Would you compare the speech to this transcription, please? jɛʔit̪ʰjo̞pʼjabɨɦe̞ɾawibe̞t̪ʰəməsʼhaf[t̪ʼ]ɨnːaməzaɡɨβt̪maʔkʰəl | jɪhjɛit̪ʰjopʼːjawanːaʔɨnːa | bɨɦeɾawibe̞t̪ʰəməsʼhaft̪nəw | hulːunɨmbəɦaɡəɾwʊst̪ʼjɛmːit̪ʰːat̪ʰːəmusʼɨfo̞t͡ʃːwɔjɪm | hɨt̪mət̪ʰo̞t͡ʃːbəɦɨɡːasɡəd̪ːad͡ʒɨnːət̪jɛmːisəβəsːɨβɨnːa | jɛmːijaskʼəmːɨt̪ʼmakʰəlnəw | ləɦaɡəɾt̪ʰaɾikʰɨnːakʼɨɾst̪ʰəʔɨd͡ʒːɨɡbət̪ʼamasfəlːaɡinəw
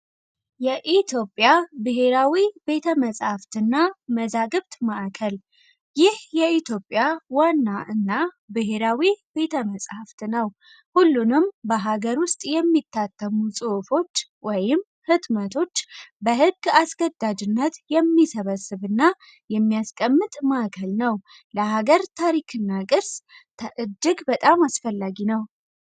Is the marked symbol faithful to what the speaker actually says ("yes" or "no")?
no